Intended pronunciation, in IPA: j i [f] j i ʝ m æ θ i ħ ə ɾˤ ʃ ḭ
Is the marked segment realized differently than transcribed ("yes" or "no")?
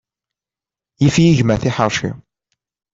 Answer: no